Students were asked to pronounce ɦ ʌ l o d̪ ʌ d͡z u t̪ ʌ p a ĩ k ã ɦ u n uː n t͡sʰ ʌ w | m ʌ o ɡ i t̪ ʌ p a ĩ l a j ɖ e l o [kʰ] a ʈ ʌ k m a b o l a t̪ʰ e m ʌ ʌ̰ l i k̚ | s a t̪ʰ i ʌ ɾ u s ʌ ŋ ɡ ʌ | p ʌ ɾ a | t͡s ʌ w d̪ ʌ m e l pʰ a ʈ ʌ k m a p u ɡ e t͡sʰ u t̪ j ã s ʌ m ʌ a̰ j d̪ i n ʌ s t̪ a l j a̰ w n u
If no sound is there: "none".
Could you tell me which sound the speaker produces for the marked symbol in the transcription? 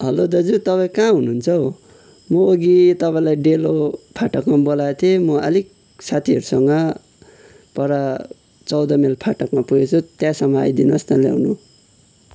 pʰ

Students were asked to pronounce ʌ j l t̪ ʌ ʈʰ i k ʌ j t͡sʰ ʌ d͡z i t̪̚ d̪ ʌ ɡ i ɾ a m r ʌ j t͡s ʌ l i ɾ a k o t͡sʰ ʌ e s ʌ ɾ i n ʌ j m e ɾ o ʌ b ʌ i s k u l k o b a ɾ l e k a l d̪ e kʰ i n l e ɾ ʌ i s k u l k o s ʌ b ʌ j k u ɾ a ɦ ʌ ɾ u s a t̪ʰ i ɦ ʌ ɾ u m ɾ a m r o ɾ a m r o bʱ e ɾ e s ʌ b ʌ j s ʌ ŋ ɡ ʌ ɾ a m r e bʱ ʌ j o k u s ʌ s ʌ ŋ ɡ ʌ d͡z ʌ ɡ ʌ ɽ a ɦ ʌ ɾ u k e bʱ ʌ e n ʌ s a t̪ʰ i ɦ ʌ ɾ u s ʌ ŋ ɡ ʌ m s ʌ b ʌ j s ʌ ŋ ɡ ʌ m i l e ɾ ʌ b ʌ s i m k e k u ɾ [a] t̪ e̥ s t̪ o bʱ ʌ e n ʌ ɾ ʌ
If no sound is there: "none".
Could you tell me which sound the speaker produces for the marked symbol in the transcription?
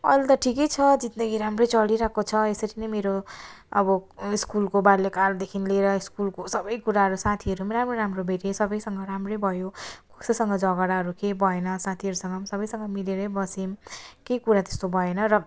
a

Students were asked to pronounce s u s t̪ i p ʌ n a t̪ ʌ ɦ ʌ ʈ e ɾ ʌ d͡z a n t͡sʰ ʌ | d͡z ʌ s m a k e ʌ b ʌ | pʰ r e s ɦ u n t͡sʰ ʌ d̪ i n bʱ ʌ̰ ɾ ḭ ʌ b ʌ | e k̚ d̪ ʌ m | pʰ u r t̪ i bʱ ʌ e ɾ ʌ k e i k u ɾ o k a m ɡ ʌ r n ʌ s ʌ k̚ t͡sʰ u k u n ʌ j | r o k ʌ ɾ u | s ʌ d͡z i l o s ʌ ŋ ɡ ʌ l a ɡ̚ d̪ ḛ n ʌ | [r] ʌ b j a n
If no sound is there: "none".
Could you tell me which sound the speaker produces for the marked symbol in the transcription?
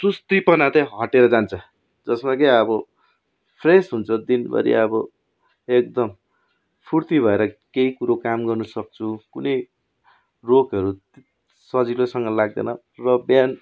r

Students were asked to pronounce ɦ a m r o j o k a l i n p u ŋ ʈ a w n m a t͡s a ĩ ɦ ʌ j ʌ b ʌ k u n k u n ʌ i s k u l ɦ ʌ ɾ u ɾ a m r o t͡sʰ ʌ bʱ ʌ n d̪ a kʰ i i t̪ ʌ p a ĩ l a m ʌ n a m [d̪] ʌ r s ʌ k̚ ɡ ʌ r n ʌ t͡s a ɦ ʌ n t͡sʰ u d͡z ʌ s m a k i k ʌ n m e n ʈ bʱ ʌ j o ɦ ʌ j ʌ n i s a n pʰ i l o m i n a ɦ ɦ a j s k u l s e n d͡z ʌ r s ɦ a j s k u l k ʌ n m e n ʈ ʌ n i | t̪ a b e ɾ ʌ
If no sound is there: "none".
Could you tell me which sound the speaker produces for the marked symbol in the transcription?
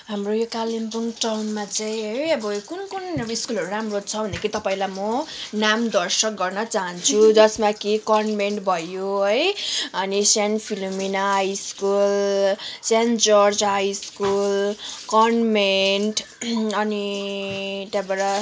d̪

